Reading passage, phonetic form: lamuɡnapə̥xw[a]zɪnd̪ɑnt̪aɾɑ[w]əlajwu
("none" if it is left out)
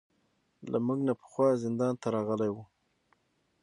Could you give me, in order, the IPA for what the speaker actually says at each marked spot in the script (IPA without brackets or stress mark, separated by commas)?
ɑ, ɣ